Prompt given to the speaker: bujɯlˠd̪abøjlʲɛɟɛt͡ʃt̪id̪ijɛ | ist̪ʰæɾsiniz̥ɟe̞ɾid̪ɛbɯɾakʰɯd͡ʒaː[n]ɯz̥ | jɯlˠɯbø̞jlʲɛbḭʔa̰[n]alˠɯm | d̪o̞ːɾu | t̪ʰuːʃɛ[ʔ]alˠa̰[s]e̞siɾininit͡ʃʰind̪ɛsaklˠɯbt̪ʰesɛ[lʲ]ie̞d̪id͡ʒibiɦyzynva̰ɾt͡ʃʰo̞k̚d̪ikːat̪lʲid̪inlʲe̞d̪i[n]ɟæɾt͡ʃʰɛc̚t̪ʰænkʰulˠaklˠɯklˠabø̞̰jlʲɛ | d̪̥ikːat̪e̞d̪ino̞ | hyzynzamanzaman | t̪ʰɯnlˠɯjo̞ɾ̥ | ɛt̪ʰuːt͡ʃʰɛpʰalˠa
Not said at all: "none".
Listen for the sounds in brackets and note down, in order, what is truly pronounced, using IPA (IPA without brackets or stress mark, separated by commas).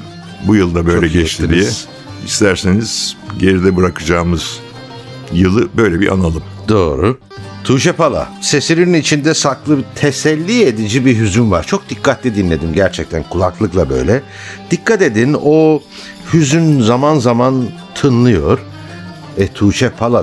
m, n, p, s, lʲː, m